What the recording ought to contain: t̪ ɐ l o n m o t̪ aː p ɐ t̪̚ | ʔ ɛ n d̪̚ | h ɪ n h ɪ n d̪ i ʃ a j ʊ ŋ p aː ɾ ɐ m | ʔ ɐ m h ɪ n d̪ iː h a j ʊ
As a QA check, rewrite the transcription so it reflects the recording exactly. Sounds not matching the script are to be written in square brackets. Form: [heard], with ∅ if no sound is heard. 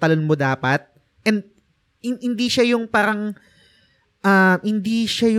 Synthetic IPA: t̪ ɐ l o n m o [d̪] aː p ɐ t̪̚ | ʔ ɛ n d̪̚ | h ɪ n h ɪ n d̪ i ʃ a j ʊ ŋ p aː ɾ ɐ [ŋ] | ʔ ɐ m h ɪ n d̪ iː [ʃ] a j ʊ